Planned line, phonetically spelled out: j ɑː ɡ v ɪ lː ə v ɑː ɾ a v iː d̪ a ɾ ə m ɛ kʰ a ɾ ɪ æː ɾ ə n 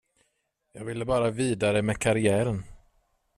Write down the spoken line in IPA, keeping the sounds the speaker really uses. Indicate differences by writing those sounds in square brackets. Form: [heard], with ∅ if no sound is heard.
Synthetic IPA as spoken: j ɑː ɡ v ɪ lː ə [b] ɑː ɾ a v iː d̪ a ɾ ə m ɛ kʰ a ɾ ɪ æː ɾ ə n